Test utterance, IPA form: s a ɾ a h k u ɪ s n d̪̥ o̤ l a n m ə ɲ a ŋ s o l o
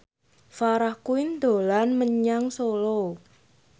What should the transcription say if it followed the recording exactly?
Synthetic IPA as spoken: f a ɾ a h k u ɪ n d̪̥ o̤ l a n m ə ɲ a ŋ s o l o